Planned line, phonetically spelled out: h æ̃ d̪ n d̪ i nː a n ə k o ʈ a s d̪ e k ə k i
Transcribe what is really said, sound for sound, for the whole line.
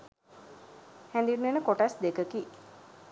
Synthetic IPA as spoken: h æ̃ n d̪ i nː e n ə k o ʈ a s d̪ e k ə k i